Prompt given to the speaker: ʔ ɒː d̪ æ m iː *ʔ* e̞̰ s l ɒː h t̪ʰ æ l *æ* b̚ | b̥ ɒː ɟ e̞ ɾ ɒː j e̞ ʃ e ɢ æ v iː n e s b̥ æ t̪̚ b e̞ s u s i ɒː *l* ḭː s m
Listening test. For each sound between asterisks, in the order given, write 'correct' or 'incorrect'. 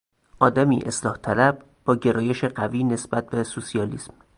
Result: correct, correct, correct

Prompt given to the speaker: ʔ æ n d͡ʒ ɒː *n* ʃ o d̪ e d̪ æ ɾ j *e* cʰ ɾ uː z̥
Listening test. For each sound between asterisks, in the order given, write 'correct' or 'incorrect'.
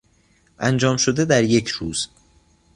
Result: incorrect: m, correct

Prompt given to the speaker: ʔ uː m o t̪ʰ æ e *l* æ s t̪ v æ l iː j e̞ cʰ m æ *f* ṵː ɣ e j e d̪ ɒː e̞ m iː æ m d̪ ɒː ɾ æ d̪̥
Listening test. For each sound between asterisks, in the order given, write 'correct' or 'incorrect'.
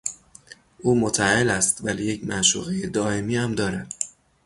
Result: correct, incorrect: ʃ

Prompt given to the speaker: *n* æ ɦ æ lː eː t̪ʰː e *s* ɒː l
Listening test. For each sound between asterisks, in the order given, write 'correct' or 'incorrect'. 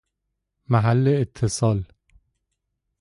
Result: incorrect: m, correct

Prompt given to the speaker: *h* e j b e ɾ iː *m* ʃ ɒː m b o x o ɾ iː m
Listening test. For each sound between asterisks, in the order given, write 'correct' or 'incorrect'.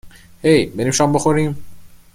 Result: correct, correct

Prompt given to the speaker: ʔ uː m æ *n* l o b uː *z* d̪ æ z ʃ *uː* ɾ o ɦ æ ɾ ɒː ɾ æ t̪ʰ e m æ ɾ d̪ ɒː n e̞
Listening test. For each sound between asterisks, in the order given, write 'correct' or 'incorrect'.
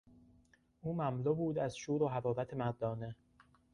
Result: incorrect: m, incorrect: none, correct

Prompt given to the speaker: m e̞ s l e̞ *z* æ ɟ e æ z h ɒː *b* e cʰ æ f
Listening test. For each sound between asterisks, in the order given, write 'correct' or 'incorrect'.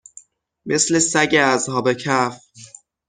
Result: incorrect: s, correct

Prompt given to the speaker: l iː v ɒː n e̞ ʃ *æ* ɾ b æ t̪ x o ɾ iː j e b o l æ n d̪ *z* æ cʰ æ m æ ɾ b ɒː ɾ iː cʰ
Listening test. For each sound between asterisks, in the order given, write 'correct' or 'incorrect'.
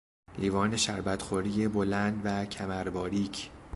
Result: correct, incorrect: v

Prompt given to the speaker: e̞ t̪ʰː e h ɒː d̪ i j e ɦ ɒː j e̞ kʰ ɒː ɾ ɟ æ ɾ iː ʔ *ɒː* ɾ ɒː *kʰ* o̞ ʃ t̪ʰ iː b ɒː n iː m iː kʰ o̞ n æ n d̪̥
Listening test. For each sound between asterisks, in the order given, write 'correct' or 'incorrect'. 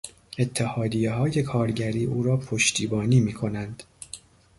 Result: incorrect: uː, incorrect: pʰ

